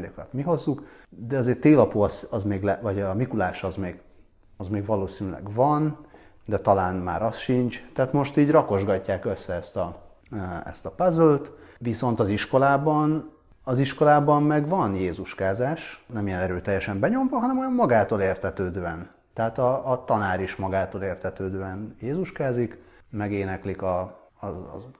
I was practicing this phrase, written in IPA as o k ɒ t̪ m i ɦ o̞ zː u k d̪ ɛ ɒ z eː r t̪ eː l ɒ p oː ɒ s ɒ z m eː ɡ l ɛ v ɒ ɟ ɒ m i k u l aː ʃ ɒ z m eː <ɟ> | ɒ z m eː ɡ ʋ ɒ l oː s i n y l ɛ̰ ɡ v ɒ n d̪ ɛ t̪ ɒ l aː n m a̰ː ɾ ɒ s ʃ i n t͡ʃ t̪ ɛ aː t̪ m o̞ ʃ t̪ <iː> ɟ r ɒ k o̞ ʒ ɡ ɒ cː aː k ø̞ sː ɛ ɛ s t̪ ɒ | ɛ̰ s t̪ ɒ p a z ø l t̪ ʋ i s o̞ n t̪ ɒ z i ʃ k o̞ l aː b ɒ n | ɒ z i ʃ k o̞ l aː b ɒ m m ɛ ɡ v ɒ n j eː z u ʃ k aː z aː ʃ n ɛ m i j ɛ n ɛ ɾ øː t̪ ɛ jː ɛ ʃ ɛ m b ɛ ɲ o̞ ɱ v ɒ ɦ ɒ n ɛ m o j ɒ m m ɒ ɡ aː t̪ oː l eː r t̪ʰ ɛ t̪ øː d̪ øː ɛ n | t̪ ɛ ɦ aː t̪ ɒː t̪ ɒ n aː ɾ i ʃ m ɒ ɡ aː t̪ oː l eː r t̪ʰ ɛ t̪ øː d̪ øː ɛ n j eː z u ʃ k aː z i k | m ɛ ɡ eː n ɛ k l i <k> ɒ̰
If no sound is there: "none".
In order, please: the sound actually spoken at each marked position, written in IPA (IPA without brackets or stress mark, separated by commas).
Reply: ɡ, iː, k